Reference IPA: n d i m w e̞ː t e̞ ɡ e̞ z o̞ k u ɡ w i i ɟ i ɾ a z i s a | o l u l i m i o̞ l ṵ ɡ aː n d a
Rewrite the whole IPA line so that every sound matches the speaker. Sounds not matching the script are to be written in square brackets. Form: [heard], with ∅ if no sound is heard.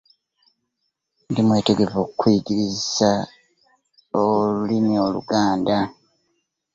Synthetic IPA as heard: n d i m w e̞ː t e̞ ɡ e̞ [v] o̞ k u [k] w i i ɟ i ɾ [i] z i s a | o l u l i m i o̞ l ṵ ɡ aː n d a

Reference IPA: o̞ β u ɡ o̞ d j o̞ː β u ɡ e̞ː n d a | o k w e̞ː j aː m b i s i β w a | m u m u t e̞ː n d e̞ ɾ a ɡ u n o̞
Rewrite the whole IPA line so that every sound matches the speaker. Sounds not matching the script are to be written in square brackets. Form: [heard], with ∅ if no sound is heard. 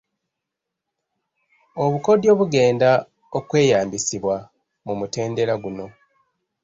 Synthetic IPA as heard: o̞ β u [k] o̞ d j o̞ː β u ɡ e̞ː n d a | o k w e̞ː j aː m b i s i β w a | m u m u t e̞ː n d e̞ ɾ a ɡ u n o̞

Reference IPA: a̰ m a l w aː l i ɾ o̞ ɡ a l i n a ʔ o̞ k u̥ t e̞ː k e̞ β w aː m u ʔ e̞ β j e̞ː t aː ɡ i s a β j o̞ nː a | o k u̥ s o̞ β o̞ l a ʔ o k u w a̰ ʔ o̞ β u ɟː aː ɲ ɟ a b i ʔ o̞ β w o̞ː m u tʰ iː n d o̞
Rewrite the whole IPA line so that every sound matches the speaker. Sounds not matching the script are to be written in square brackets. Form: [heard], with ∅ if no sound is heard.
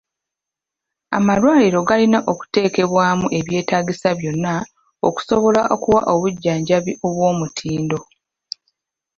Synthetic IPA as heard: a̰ m a l w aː l i ɾ o̞ ɡ a l i n a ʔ o̞ k u̥ t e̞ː k e̞ β w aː m u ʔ e̞ β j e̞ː t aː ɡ i s a β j o̞ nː a | o k u̥ s o̞ β o̞ l a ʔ o k u w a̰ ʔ o̞ β u ɟː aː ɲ ɟ a [β] i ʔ o̞ β w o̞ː m u tʰ iː n d o̞

